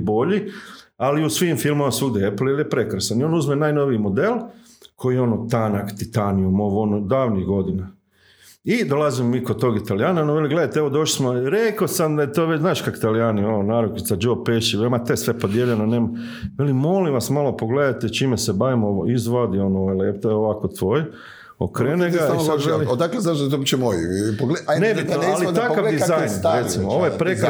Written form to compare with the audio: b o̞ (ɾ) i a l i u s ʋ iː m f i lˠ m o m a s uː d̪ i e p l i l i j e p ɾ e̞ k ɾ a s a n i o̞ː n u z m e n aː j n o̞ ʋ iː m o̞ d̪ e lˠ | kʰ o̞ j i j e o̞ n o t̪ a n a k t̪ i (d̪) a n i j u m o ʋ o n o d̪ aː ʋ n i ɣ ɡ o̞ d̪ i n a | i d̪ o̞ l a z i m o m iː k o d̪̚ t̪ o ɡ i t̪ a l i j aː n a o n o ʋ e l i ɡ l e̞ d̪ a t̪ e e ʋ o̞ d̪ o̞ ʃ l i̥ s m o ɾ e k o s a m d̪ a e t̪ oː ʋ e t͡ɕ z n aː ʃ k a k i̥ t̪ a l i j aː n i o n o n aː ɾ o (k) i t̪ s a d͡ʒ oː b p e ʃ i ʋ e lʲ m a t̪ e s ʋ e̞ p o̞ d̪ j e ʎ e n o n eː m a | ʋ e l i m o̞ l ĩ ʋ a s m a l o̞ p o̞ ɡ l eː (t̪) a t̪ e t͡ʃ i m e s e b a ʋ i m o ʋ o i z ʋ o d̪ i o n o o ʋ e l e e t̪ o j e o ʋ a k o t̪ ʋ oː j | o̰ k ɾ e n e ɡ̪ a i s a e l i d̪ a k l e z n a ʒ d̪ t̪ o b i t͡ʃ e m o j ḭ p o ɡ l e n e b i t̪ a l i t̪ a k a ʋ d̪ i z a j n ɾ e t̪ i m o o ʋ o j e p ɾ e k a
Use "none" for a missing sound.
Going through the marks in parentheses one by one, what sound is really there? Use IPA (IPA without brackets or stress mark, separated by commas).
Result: ʎ, t̪, k, d̪